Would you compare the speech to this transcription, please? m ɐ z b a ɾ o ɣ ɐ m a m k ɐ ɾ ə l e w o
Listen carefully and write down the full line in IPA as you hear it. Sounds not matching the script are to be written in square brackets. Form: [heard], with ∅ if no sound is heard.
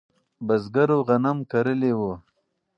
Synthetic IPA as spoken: [b] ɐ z [ɡ] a ɾ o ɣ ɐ [n] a m k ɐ ɾ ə l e w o